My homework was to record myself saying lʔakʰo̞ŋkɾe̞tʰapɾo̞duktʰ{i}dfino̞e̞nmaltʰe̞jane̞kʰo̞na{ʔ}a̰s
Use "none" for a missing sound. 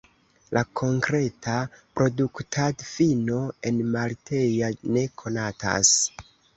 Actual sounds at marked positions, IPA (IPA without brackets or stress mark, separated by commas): a, t